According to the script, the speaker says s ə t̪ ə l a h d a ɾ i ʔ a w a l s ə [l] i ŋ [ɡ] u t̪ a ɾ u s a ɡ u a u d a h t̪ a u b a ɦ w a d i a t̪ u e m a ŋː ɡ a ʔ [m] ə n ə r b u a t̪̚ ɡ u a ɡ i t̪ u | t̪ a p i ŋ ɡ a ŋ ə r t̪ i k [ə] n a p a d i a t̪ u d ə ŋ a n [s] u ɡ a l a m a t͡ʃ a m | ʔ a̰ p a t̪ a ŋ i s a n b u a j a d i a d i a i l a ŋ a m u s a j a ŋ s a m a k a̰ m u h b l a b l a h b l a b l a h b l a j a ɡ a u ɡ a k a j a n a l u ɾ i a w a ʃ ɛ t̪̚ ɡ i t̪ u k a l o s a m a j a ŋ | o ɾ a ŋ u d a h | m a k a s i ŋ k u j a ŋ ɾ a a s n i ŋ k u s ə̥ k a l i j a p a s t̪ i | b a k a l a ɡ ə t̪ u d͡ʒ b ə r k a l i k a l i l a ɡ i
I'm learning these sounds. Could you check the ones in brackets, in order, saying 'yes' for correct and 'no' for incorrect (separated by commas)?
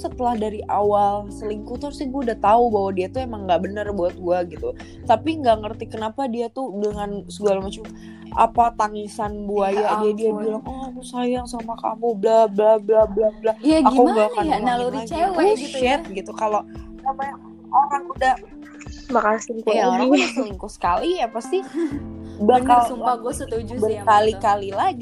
yes, no, no, yes, yes